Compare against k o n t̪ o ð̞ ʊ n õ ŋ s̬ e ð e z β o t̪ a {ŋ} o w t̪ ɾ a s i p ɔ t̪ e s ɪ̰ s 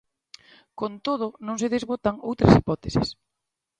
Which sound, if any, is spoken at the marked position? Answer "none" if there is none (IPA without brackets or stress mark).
ŋ